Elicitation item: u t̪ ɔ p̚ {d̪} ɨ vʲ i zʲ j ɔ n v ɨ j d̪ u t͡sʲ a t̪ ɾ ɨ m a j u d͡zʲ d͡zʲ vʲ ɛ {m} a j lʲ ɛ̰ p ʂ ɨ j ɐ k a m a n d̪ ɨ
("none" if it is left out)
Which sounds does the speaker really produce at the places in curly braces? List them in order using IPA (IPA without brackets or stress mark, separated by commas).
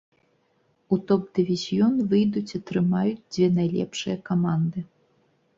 d̪, n